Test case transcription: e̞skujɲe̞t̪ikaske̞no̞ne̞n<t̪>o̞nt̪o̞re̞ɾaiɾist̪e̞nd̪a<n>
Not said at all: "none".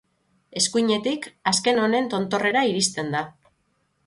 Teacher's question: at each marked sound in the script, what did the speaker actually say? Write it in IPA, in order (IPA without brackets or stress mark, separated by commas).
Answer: t̪, none